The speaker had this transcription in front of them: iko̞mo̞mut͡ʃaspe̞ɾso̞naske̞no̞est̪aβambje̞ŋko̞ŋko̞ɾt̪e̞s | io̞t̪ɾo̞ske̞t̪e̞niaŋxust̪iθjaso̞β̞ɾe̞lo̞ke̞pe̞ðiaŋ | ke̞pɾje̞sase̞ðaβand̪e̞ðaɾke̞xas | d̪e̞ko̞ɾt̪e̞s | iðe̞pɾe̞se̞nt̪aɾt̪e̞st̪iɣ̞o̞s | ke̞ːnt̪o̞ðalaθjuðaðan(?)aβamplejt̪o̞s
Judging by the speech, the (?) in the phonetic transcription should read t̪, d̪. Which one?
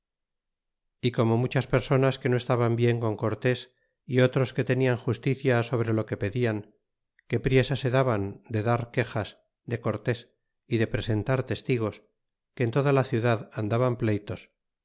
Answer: d̪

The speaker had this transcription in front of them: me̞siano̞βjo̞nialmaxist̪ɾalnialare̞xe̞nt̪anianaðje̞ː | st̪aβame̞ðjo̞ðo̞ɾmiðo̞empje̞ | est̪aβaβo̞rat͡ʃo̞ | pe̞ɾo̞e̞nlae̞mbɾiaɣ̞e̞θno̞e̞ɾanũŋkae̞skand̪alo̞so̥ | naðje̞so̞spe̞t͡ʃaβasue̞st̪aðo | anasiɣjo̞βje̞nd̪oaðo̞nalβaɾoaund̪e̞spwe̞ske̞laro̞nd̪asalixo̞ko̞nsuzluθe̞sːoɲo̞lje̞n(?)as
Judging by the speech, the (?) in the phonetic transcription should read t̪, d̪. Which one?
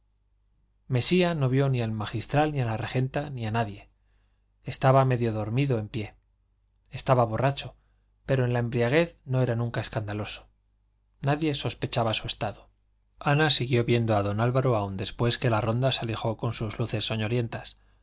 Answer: t̪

